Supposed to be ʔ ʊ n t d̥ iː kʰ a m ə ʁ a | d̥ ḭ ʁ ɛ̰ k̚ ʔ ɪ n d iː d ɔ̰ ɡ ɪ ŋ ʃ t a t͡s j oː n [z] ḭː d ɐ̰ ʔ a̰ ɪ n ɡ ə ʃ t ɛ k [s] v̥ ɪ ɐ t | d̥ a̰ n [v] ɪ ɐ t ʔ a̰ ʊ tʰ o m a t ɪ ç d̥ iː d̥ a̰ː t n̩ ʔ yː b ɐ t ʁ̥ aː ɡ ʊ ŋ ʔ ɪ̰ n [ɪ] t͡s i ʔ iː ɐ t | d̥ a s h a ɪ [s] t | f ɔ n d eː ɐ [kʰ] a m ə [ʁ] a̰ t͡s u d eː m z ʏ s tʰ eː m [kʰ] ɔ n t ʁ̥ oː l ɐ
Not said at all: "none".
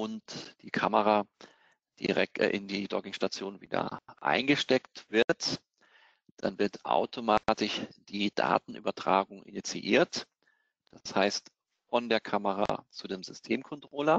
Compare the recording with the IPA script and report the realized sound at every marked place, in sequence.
v, t, v, i, s, kʰ, ʁ, kʰ

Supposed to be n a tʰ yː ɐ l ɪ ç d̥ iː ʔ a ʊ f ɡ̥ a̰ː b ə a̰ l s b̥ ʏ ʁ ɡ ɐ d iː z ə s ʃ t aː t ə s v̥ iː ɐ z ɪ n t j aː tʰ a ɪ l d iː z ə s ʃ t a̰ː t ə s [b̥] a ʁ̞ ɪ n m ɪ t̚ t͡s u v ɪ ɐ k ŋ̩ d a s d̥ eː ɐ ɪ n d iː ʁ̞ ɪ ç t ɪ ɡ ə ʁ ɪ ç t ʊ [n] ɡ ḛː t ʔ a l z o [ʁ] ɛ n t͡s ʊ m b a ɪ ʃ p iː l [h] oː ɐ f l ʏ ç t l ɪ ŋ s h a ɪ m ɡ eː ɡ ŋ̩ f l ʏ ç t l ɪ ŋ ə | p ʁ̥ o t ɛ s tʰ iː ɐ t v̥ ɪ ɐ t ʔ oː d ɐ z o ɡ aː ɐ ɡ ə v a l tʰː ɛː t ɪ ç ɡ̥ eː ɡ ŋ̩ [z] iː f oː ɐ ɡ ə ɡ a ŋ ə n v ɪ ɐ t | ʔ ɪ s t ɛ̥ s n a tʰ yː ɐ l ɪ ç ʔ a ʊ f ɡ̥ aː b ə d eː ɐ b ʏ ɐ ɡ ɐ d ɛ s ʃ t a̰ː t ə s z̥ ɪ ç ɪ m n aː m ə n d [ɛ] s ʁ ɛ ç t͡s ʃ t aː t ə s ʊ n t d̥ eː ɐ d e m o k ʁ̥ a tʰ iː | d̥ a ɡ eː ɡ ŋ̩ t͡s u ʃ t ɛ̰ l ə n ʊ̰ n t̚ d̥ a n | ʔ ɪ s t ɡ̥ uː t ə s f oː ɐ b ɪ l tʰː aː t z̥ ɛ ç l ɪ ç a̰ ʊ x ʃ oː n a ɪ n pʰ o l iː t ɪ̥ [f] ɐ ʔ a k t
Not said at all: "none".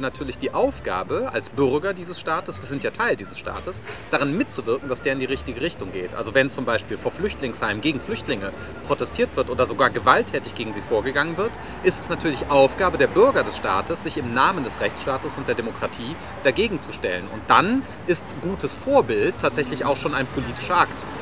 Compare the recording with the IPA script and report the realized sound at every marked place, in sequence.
d̥, ŋ, v, f, z, ɛ, ʃ

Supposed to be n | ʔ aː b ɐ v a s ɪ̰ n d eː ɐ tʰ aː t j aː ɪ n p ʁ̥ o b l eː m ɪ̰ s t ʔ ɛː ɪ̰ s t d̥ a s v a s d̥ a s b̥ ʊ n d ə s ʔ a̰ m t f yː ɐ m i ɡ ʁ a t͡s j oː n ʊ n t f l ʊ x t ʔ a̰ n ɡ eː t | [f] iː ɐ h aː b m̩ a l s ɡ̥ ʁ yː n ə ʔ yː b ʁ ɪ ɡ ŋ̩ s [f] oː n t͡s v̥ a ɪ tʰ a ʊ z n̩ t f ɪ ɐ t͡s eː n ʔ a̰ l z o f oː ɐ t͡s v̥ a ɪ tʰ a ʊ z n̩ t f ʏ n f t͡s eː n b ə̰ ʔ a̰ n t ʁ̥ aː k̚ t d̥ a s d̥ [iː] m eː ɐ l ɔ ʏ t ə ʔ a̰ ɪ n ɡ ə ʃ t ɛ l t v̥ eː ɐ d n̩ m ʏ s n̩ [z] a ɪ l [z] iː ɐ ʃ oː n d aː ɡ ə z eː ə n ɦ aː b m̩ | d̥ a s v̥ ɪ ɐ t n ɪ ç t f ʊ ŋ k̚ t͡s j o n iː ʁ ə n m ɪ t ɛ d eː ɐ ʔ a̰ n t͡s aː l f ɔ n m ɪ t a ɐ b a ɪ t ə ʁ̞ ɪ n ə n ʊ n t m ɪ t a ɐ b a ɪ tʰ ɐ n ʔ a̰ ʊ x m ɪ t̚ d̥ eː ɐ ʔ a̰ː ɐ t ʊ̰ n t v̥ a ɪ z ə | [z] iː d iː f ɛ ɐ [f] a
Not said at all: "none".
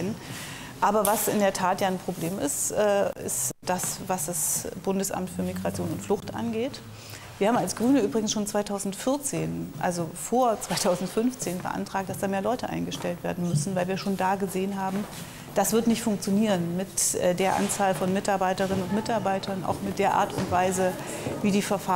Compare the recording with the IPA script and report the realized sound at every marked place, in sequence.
v, ʃ, aː, v, v, v, f

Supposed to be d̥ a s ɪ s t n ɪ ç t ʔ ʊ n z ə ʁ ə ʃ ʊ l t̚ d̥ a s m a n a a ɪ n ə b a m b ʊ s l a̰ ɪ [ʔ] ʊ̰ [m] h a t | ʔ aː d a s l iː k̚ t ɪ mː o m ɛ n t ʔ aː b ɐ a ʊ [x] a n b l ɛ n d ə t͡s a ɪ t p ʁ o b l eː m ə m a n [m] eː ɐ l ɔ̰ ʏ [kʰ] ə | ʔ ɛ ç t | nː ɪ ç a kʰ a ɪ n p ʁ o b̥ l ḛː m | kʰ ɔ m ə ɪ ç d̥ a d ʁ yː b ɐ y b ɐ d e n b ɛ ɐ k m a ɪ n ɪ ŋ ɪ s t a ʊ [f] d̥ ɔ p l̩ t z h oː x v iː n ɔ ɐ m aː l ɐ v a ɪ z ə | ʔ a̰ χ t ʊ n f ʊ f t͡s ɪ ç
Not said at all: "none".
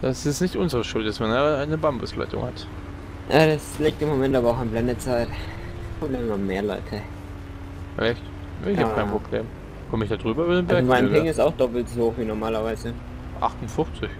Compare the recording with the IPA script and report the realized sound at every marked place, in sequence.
t, ŋ, x, m, tʰ, x

